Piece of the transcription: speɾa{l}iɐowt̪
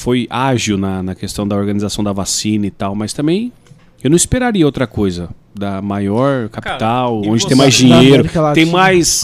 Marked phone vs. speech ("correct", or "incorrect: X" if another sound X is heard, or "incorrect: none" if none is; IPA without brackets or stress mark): incorrect: ɾ